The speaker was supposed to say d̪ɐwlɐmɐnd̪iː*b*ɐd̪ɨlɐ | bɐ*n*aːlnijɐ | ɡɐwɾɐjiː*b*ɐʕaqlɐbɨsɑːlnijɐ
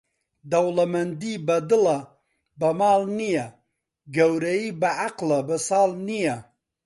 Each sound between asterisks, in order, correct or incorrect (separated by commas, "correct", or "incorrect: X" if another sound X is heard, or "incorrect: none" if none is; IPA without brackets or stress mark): correct, incorrect: m, correct